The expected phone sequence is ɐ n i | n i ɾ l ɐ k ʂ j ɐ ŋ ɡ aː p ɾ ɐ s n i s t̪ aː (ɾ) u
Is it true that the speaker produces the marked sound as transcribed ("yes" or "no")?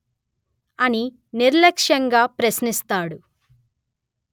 no